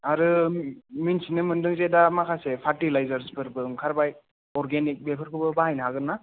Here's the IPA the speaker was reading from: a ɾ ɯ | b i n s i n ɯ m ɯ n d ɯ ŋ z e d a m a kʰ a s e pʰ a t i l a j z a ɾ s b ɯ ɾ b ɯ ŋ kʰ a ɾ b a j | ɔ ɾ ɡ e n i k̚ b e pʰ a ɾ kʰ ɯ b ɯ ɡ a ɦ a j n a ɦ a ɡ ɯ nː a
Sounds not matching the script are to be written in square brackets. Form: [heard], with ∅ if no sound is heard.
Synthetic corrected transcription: a ɾ ɯ | [m] i n s i n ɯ m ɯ n d ɯ ŋ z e d a m a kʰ a s e pʰ a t i l a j z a ɾ s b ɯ ɾ b ɯ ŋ kʰ a ɾ b a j | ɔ ɾ ɡ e n i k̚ b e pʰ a ɾ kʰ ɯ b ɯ [b] a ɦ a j n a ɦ a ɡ ɯ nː a

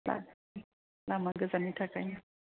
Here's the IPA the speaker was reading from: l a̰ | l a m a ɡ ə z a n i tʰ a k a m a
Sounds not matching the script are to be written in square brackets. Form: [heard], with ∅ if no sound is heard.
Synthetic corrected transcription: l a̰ | l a m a ɡ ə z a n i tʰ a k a [ɲ] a

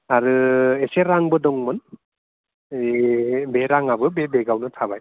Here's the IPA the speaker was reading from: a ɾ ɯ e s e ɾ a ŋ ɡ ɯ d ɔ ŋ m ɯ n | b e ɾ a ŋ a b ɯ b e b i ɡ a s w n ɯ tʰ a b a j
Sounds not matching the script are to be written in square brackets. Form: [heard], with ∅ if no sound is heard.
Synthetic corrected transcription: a ɾ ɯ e s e ɾ a ŋ [b] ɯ d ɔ ŋ m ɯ n | b e ɾ a ŋ a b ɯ b e b [e] ɡ a [∅] w n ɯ tʰ a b a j

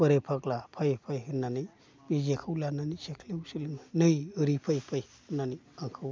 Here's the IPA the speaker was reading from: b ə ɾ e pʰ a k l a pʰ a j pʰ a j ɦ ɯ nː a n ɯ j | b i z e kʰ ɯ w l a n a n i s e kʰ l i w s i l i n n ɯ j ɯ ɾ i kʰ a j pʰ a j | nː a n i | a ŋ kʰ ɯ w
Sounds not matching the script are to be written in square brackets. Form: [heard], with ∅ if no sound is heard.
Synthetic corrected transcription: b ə ɾ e pʰ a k l a pʰ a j pʰ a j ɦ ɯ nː a n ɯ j | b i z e kʰ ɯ w l a n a n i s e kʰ l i w s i l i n n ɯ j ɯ ɾ i [pʰ] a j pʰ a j | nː a n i | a ŋ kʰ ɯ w

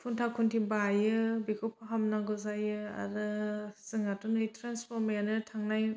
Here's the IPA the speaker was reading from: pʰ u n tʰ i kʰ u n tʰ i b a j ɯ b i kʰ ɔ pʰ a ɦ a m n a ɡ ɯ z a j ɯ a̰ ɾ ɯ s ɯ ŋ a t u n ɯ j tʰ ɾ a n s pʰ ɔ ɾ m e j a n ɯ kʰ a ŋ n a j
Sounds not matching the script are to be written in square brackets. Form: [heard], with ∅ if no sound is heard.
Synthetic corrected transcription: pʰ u n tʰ [a] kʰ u n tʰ i b a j ɯ b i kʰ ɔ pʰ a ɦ a m n a ɡ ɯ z a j ɯ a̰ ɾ ɯ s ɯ ŋ a t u n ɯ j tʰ ɾ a n s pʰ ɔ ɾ m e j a n ɯ [tʰ] a ŋ n a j

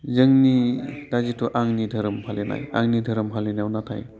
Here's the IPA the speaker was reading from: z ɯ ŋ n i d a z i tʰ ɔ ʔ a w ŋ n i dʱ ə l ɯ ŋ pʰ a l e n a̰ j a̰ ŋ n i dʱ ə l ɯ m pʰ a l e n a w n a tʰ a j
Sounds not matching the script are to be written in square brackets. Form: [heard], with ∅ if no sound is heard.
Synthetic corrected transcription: z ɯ ŋ n i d a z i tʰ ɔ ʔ a [∅] ŋ n i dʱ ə [ɾ] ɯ [m] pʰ a l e n a̰ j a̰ ŋ n i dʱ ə [ɾ] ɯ m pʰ a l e n a w n a tʰ a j

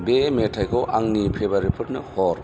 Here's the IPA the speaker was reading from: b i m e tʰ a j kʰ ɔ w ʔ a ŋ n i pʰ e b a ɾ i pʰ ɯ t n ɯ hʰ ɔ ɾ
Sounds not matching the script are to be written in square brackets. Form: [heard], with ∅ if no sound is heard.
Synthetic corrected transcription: b [e] m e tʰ a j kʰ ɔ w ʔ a ŋ n i pʰ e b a ɾ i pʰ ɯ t n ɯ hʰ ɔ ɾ

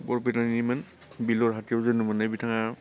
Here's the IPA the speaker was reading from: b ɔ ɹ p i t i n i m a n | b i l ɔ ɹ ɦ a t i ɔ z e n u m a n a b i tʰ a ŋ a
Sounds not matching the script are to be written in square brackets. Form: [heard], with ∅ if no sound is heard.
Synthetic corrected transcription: b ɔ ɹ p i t [a] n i m a n | b i l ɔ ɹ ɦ a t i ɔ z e n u m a n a b i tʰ a ŋ a

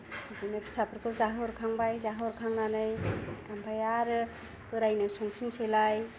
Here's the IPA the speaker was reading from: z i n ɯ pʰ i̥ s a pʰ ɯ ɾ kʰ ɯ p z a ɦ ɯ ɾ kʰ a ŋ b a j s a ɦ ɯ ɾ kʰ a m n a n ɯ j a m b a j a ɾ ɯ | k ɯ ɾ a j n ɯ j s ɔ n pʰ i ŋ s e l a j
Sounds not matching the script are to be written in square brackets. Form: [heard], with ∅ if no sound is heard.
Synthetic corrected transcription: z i n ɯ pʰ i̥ s a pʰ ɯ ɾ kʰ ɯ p z a ɦ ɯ ɾ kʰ a ŋ b a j [z] a ɦ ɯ ɾ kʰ a [ŋ] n a n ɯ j a m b a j a ɾ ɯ | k ɯ ɾ a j n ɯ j s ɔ [ŋ] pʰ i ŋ s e l a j

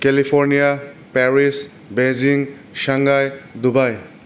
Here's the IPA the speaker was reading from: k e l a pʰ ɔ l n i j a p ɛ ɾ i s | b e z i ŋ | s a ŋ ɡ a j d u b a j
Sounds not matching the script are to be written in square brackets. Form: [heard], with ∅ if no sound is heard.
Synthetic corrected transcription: k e l [i] pʰ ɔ [ɾ] n i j a p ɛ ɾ i s | b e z i ŋ | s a ŋ ɡ a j d u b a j

